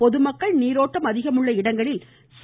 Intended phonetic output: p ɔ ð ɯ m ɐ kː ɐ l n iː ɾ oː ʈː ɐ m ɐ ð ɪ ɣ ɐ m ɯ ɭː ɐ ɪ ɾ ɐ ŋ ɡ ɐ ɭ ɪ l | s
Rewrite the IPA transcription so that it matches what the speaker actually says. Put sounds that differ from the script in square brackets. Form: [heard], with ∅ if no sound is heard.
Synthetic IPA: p ɔ ð ɯ m ɐ kː ɐ [ɭ] n iː ɾ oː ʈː ɐ m ɐ ð ɪ ɣ ɐ m ɯ ɭː ɐ ɪ [ɽ] ɐ ŋ ɡ ɐ ɭ ɪ l | s